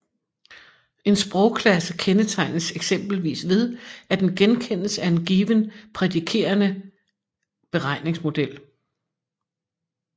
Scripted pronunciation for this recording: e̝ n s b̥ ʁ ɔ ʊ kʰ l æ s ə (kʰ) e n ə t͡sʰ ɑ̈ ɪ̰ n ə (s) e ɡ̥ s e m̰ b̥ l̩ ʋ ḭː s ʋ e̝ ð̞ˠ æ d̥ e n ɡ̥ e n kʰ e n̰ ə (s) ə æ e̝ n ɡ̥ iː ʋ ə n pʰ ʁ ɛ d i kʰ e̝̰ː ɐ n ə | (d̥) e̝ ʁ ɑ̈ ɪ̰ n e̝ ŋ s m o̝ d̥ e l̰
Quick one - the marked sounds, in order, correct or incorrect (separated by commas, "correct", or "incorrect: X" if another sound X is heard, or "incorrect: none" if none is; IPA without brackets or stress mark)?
correct, correct, correct, incorrect: b̥